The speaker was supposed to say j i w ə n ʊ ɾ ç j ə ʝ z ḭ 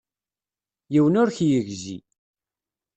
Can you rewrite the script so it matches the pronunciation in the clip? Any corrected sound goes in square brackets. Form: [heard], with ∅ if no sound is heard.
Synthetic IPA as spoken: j i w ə n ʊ ɾ ç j ə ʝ z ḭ